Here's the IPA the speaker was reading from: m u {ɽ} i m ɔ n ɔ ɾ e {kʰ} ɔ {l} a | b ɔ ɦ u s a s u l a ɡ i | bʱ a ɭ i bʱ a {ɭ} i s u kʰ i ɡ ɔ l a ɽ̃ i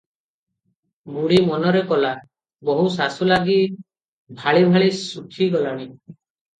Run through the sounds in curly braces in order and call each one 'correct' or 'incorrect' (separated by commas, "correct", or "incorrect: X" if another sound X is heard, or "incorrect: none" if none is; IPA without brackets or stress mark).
correct, incorrect: k, correct, correct